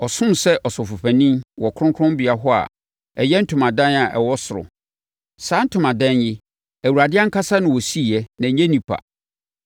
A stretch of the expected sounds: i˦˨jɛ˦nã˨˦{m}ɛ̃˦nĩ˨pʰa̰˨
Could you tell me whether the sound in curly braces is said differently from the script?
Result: yes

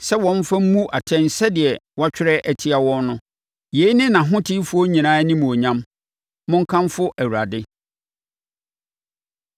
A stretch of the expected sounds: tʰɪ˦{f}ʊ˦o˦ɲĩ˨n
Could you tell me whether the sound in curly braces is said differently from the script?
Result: no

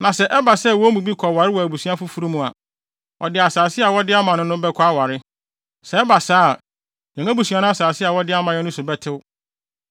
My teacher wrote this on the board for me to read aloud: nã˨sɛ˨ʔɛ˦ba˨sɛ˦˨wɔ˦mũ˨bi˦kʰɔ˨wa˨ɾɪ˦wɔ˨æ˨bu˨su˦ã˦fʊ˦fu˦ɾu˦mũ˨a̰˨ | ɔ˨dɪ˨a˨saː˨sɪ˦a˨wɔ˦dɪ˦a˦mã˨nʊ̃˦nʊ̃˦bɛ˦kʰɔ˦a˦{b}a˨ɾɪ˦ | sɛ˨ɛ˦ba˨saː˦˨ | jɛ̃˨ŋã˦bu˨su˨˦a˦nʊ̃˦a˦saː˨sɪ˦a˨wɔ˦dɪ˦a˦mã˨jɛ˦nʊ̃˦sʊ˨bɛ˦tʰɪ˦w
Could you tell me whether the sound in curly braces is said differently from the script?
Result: yes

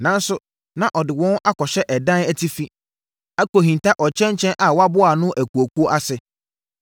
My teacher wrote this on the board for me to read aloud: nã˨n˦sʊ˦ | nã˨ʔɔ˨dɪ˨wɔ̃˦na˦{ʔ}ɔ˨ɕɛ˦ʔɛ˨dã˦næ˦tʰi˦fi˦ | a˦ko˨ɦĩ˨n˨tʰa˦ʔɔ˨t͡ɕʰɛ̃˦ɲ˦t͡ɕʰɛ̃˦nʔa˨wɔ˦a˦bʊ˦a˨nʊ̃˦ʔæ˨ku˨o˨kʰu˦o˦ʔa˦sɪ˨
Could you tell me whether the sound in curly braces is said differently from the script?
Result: yes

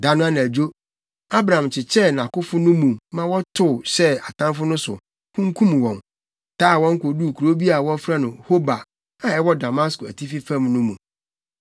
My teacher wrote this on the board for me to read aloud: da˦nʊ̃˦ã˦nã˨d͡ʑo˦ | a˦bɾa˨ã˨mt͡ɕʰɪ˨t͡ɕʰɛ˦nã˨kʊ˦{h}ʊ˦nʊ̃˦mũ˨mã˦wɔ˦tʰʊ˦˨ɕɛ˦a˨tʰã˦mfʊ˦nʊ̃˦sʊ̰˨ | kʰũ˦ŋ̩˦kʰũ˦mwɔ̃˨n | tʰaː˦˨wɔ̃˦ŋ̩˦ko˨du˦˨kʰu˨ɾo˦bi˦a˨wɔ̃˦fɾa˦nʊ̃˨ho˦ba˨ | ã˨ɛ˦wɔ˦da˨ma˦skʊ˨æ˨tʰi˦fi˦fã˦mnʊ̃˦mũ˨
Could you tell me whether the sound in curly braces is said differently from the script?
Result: yes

